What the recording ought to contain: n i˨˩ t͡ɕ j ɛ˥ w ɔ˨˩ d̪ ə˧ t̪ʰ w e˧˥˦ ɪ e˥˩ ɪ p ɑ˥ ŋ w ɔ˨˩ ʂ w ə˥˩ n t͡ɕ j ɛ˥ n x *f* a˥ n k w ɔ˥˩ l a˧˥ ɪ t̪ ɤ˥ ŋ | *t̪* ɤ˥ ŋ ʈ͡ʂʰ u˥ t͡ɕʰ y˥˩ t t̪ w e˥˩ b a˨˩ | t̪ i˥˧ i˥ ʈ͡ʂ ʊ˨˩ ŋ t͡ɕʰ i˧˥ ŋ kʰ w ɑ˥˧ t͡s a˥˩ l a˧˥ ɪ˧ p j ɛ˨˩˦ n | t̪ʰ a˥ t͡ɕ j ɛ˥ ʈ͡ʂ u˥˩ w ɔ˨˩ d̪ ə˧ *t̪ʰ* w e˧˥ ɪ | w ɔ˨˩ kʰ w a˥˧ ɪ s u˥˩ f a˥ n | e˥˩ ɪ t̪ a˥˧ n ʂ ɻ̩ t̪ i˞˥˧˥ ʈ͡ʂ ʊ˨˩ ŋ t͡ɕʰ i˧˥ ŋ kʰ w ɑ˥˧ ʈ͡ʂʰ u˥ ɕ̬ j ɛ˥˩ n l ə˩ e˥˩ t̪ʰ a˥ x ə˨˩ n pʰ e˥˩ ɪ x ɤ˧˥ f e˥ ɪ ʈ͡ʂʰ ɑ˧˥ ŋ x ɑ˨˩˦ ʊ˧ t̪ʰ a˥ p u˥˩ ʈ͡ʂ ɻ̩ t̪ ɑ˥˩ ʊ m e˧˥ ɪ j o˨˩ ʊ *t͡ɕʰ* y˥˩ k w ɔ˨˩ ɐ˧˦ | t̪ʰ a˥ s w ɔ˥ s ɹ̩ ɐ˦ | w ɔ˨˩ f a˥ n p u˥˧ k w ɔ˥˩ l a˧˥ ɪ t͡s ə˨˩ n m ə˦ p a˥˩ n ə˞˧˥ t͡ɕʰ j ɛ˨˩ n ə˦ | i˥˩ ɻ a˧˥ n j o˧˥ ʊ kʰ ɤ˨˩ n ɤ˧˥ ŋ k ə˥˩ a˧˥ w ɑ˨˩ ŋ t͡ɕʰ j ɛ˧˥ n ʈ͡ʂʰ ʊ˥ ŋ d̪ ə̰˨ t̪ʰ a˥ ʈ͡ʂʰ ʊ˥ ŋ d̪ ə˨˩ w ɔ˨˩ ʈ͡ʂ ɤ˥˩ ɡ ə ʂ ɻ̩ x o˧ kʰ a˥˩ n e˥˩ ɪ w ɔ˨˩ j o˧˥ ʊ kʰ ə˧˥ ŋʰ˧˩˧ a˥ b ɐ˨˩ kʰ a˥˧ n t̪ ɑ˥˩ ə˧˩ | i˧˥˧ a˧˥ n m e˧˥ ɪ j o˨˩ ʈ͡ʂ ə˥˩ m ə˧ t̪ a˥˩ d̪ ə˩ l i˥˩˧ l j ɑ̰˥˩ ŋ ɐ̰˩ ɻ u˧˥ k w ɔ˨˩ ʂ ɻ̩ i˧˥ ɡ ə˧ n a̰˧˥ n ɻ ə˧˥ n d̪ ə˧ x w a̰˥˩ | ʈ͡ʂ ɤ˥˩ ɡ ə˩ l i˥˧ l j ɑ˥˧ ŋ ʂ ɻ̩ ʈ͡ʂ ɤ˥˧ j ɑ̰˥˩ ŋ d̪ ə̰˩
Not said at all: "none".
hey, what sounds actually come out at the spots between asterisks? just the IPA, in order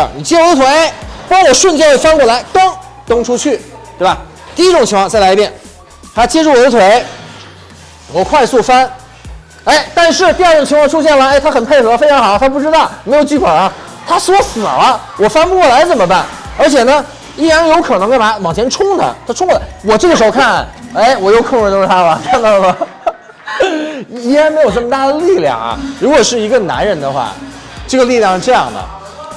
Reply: f, t̪, t̪ʰ, t͡ɕ

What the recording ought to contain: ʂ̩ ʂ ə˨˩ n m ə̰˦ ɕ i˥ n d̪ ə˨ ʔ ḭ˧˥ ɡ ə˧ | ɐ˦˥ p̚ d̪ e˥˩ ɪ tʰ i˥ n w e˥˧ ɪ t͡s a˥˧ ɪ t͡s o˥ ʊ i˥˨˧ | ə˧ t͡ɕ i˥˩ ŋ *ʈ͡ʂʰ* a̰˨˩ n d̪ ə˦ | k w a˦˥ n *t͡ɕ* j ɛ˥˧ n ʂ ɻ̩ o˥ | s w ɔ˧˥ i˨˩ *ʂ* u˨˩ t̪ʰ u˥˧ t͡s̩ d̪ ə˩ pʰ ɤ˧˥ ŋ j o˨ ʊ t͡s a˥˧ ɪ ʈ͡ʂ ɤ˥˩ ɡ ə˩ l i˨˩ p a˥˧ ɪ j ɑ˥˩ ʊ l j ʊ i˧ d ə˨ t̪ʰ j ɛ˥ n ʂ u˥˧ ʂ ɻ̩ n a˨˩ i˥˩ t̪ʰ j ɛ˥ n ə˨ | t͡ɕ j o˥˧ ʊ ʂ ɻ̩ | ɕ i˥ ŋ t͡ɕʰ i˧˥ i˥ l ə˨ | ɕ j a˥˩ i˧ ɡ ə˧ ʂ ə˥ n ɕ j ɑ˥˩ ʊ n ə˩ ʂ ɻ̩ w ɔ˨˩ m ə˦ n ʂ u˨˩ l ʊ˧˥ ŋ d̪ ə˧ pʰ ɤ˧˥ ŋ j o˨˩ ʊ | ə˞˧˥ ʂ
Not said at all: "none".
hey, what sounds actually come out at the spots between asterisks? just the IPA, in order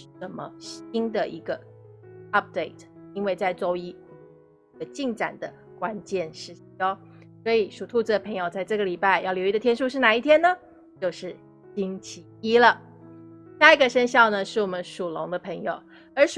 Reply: ʈ͡ʂ, t͡ɕ, ʂ

